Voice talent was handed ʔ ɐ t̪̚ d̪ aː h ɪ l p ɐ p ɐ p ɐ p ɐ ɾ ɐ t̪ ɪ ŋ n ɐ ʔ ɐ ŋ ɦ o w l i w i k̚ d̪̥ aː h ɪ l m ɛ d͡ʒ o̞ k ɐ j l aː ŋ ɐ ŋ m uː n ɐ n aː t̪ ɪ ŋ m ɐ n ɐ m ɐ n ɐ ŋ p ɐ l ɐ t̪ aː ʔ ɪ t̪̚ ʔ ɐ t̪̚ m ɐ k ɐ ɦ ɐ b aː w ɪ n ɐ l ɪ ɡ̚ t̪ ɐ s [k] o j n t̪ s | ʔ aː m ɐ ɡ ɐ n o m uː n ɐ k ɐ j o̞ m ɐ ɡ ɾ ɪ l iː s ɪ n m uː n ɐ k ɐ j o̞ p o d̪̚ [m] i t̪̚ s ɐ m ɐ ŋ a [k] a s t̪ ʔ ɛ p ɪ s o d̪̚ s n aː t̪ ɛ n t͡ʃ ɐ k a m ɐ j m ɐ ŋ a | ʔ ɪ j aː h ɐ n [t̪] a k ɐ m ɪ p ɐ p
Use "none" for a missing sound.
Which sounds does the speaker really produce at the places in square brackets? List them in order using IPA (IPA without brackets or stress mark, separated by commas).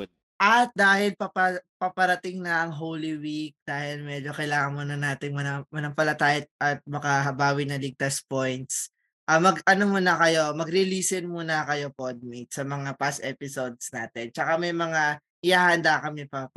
p, m, p, d̪